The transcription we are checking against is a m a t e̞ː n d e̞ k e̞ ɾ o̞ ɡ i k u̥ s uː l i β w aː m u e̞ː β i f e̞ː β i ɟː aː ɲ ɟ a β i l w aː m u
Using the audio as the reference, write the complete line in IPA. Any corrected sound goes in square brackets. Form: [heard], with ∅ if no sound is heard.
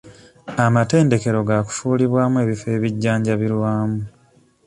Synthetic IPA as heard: a m a t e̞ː n d e̞ k e̞ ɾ o̞ ɡ [a] k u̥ [f] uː l i β w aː m u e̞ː β i f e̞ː β i ɟː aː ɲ ɟ a β i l w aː m u